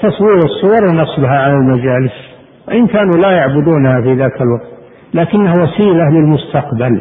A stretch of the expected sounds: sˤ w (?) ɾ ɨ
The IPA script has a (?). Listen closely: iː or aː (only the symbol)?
iː